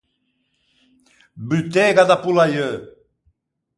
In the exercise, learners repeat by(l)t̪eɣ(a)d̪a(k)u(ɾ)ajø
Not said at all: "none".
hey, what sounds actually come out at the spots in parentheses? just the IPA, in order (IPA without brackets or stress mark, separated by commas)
l, a, p, l